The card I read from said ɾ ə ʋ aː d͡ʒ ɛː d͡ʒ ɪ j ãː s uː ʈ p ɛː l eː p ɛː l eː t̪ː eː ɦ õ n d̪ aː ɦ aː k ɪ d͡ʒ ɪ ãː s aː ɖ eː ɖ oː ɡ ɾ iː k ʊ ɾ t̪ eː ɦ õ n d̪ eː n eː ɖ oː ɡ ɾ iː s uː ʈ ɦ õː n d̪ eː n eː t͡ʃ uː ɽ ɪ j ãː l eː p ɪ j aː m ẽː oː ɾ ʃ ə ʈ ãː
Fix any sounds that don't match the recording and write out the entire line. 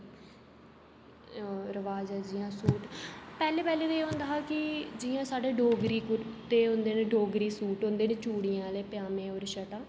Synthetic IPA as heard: ɾ ə ʋ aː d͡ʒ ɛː d͡ʒ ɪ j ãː s uː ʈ p ɛː l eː p ɛː l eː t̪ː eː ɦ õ n d̪ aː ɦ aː k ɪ d͡ʒ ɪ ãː s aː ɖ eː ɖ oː ɡ ɾ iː k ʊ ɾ t̪ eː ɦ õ n d̪ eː n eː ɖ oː ɡ ɾ iː s uː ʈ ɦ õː n d̪ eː n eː t͡ʃ uː ɽ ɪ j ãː l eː p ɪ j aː m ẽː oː ɾ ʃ ə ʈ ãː